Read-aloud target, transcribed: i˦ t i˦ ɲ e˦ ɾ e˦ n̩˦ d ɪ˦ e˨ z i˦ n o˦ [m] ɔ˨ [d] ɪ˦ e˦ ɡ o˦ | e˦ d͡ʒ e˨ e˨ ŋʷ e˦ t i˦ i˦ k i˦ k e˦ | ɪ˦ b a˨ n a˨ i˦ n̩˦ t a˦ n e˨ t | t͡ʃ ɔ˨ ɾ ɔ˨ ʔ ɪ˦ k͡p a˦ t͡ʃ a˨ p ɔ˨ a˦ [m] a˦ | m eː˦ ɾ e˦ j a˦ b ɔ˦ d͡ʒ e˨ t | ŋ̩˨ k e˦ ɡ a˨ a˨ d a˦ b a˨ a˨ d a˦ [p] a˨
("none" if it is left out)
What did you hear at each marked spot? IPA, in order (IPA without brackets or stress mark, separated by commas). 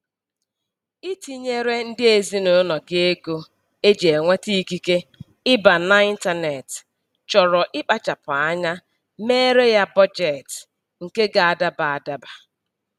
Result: n, ɡ, ɲ, b